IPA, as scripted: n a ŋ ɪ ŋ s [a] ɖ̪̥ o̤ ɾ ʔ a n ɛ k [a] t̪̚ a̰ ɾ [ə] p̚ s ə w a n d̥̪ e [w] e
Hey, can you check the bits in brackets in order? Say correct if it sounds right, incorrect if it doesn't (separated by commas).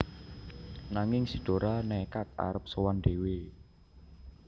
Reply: incorrect, correct, correct, correct